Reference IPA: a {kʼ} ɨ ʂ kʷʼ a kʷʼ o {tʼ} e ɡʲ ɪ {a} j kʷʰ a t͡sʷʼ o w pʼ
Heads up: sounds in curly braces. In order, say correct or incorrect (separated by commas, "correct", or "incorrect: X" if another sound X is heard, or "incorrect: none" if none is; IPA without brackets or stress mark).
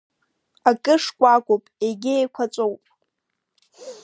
correct, incorrect: pʼ, incorrect: e